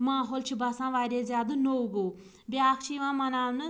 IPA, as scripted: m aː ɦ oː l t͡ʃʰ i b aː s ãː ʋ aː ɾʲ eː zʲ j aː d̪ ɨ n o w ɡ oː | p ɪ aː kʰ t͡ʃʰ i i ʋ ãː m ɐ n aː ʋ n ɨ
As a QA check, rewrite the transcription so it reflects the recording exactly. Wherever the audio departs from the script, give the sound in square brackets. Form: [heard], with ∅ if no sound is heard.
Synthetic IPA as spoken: m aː ɦ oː l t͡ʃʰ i b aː s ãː ʋ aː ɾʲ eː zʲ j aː d̪ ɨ n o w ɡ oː | [b] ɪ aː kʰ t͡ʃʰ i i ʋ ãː m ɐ n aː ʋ n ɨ